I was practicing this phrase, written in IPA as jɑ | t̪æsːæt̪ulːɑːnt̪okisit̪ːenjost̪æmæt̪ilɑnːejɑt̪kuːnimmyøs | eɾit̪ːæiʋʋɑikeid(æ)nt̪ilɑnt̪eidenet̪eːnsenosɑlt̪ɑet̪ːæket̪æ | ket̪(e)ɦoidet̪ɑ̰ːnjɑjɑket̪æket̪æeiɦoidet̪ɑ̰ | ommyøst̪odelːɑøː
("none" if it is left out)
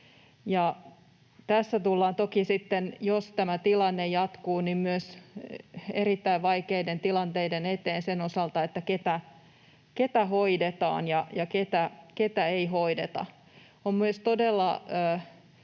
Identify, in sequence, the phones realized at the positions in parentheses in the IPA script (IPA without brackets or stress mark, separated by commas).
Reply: e, æ